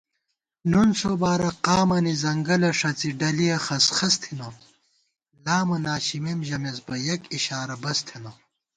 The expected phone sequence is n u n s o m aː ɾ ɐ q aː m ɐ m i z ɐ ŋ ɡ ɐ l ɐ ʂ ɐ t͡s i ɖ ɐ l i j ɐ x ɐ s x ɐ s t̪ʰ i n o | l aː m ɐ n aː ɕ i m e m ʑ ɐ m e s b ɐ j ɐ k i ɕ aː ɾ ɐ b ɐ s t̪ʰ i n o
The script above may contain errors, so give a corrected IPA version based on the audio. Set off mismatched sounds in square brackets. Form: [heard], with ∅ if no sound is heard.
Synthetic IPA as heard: n u n s o [b] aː ɾ ɐ q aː m ɐ [n] i z ɐ ŋ ɡ ɐ l ɐ ʂ ɐ t͡s i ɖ ɐ l i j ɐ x ɐ s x ɐ s t̪ʰ i n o | l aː m ɐ n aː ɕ i m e m ʑ ɐ m e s b ɐ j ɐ k i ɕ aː ɾ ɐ b ɐ s t̪ʰ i n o